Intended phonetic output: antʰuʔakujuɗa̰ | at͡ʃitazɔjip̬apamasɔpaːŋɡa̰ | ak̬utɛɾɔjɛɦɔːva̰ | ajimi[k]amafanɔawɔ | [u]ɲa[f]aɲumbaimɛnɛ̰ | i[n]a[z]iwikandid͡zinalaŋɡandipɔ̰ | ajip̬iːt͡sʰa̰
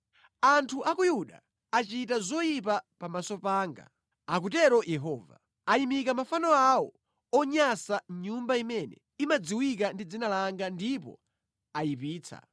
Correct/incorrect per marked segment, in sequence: correct, incorrect, incorrect, incorrect, incorrect

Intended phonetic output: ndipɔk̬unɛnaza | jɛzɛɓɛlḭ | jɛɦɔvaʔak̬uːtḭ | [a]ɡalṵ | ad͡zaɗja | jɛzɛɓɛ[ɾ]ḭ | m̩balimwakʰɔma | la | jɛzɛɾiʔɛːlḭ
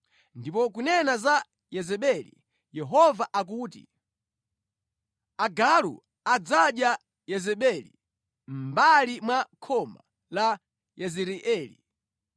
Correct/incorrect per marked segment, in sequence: correct, incorrect

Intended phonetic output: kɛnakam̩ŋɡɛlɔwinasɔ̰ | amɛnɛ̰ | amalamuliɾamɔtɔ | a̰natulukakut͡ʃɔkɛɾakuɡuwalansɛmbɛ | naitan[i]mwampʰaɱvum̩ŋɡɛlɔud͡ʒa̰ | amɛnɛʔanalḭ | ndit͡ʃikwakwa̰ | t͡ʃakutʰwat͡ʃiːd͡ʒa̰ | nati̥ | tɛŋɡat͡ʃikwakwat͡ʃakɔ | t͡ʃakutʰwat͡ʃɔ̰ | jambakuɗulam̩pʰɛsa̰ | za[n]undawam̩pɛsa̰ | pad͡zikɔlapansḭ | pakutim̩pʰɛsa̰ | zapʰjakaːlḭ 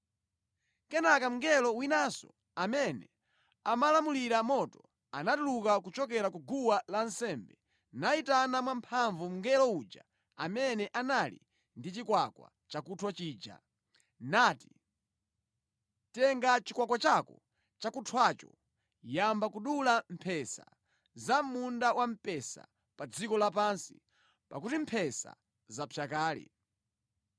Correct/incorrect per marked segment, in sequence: incorrect, incorrect

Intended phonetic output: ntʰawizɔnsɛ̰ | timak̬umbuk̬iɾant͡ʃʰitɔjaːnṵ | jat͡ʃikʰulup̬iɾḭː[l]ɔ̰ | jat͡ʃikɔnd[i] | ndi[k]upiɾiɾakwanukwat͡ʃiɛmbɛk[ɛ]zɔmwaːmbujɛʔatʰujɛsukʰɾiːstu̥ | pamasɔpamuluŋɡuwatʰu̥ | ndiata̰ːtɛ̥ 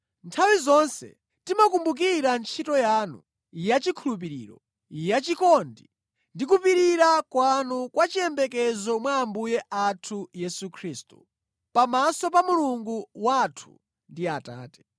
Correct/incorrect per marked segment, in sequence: incorrect, correct, correct, correct

